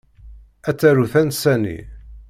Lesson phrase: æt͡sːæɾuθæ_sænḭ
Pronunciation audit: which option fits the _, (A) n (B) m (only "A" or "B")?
A